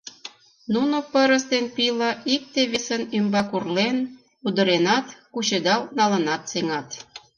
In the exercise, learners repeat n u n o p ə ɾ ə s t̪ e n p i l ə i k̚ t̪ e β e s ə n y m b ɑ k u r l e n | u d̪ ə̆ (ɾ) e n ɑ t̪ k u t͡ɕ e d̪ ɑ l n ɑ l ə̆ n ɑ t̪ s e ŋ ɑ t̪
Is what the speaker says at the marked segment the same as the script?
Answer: yes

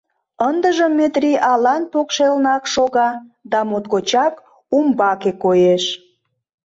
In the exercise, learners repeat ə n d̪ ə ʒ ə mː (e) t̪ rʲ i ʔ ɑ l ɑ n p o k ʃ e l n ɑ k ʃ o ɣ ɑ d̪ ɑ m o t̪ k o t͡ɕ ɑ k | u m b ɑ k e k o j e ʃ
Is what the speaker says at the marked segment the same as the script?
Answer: yes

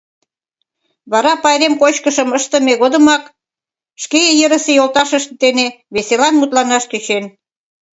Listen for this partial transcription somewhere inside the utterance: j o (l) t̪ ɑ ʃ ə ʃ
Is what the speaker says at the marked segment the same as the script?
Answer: yes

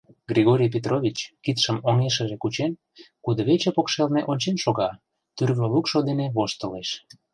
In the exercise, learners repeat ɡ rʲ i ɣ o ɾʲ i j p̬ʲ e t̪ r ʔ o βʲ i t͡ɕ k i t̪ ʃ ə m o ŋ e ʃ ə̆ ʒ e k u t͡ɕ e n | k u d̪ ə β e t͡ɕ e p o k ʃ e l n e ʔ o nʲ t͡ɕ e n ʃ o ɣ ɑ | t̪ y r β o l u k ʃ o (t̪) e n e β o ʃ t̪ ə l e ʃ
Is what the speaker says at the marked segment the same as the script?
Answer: no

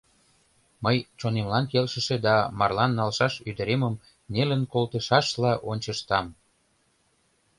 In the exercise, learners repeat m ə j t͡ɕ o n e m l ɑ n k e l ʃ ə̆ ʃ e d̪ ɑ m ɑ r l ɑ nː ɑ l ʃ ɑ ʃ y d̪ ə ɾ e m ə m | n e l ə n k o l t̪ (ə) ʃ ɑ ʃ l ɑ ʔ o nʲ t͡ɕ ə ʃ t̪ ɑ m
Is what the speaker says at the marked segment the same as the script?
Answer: yes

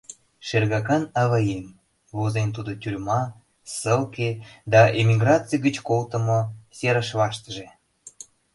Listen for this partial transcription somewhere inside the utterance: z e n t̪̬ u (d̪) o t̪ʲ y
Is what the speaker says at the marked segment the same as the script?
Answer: yes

